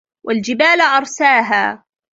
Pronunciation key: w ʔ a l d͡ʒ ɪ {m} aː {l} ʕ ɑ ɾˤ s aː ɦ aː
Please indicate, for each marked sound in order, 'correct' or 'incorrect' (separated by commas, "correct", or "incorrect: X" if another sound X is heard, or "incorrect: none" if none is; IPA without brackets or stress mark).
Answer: incorrect: b, correct